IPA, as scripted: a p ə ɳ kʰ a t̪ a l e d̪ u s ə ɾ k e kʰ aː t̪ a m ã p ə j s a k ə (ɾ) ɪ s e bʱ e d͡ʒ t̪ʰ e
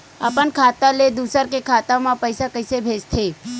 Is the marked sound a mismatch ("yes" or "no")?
yes